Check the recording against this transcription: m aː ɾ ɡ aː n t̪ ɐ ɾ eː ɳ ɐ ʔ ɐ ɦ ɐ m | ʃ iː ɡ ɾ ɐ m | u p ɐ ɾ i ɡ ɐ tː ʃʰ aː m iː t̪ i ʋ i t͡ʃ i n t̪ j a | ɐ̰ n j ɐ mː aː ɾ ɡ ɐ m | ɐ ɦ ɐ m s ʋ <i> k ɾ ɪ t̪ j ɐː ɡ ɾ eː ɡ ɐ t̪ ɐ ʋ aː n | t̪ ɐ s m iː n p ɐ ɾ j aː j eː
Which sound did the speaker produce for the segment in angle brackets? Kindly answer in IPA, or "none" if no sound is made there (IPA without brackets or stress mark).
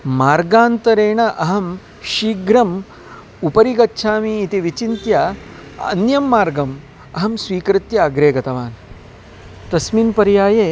iː